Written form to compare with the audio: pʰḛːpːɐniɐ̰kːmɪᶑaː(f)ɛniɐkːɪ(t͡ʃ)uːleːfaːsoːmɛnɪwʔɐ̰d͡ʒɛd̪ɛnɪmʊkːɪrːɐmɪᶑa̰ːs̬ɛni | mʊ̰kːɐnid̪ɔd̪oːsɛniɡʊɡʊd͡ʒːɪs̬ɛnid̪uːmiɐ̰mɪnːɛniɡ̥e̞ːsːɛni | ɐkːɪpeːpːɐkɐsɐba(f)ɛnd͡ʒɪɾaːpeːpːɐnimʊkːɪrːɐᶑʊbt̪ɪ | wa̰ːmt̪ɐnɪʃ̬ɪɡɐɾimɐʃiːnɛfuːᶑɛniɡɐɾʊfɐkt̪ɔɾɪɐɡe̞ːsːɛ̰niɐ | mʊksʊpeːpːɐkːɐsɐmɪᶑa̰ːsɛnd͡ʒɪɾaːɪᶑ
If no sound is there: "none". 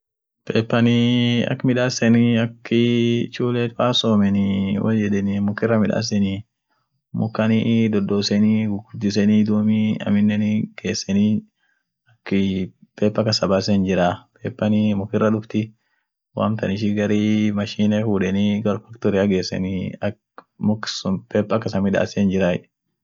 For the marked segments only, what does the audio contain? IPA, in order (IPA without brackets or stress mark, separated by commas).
s, t͡ʃ, s